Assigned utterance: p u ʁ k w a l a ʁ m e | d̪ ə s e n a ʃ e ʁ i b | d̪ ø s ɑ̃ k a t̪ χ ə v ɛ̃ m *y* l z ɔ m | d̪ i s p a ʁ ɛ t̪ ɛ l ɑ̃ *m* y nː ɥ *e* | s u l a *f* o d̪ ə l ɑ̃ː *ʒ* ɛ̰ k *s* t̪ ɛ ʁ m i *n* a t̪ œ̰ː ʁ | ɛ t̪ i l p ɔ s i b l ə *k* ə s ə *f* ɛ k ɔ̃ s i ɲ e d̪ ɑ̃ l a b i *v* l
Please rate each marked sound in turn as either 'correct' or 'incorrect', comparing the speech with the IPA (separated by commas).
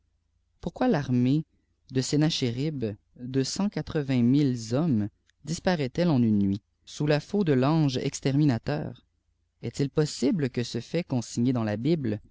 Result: incorrect, incorrect, incorrect, correct, correct, correct, correct, correct, correct, incorrect